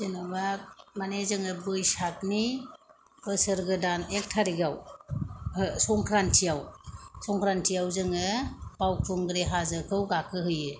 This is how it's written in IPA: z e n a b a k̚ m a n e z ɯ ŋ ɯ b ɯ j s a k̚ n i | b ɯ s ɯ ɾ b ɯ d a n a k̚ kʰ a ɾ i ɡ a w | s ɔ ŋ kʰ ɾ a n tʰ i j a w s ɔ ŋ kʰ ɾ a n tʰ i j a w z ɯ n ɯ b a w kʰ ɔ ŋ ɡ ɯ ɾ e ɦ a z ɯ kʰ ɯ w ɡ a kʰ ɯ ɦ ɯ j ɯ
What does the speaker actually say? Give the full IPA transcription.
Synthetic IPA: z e n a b a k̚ m a n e z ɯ ŋ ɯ b ɯ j s a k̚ n i | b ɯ s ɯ ɾ ɡ ɯ d a n e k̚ tʰ a ɾ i ɡ a w | s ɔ ŋ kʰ ɾ a n tʰ i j a w s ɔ ŋ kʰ ɾ a n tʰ i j a w z ɯ ŋ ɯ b a w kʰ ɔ ŋ ɡ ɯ ɾ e ɦ a z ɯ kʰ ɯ w ɡ a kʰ ɯ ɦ ɯ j ɯ